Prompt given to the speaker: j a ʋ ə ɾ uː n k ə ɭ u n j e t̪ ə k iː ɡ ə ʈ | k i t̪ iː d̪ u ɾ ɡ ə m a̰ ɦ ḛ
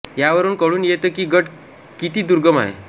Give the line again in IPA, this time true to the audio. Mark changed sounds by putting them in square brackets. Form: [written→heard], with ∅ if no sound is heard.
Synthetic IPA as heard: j a ʋ ə ɾ uː n k ə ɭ [u→uː] n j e t̪ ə k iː ɡ ə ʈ | k i t̪ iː d̪ u ɾ ɡ ə m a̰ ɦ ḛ